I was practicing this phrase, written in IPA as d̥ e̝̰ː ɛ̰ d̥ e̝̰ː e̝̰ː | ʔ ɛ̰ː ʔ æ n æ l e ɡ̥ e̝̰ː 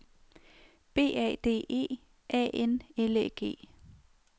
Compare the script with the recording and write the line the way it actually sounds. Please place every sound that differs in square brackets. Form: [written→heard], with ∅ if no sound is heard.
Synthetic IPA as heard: [d̥→b̥] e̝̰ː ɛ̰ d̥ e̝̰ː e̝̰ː | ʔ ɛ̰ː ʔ [æ→e] n [æ→e] l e ɡ̥ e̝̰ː